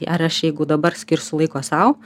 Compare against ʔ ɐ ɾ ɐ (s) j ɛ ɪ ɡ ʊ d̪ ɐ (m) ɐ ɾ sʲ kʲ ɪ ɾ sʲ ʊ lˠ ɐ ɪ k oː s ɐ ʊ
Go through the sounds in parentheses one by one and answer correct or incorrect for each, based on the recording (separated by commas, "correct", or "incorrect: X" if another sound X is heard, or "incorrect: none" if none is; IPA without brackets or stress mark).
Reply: incorrect: ʃ, incorrect: b